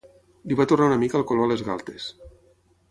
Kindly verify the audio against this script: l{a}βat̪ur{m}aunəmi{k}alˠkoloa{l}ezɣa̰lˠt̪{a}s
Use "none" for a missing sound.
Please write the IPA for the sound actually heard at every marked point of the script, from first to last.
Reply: i, n, k, l, e

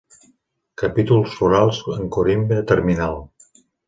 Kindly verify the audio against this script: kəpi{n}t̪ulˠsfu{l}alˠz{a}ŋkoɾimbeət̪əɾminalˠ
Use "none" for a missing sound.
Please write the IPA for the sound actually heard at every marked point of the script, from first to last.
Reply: none, ɾ, ə

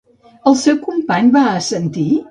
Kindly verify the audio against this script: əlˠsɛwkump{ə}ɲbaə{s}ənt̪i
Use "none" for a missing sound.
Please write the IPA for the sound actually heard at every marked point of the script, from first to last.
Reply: a, s

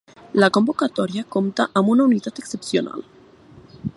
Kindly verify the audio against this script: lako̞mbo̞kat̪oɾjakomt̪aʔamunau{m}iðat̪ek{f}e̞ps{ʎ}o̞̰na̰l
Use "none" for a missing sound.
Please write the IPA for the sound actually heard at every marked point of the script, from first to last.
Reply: n, s, j

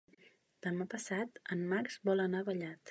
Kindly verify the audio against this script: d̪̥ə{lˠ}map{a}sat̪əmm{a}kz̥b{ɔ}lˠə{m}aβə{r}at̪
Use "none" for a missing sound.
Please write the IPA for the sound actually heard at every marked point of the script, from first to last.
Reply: none, ə, a, ɔ, n, ʎ

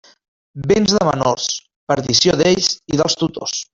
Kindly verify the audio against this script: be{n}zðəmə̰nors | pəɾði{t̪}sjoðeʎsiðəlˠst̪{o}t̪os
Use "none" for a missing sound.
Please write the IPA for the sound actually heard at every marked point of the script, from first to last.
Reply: n, none, u

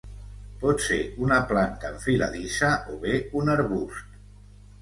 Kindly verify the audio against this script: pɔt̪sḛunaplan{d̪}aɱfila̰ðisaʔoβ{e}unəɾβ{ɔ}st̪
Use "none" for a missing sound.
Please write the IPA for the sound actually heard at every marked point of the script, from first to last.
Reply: t̪, e, u

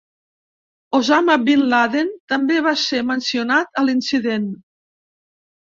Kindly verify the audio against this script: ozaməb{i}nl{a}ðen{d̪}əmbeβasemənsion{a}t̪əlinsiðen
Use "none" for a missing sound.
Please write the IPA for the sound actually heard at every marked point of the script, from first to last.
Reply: i, a, t̪, a

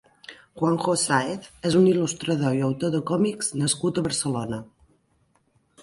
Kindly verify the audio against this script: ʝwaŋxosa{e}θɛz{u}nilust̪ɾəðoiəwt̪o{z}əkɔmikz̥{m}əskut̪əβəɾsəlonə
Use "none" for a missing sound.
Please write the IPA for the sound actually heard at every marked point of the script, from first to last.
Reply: e, u, ð, n

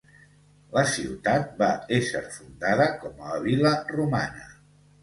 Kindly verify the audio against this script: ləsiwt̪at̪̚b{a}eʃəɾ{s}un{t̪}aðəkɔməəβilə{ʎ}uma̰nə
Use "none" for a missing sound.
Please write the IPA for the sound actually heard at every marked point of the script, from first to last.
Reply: a, f, d̪, r

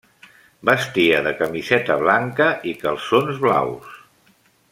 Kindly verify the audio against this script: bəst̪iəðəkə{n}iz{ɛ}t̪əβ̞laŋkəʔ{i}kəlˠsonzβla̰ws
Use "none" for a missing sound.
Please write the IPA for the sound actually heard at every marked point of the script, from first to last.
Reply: m, ɛ, i

